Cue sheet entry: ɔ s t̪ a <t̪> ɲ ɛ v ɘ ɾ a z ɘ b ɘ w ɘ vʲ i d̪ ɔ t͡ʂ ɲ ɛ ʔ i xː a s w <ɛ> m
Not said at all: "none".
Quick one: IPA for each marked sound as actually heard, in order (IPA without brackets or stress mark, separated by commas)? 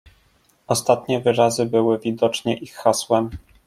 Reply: t̪, ɛ